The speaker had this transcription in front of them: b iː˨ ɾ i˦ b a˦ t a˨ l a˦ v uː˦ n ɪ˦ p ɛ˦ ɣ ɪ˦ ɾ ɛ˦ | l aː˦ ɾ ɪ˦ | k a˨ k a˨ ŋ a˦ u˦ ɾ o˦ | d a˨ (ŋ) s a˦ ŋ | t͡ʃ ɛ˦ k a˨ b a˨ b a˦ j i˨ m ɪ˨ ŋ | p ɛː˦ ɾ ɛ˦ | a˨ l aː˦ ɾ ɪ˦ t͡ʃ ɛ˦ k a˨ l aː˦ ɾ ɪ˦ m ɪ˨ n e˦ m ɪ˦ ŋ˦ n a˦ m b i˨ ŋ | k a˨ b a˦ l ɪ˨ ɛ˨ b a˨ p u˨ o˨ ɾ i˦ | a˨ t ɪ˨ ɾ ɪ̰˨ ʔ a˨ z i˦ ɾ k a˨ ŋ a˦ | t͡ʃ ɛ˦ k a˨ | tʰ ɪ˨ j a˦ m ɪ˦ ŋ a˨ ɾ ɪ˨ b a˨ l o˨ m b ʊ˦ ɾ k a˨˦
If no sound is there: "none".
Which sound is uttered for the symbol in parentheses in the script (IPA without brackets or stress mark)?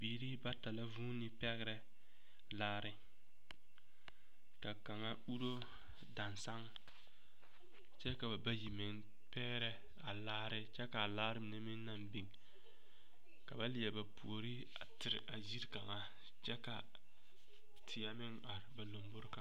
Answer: n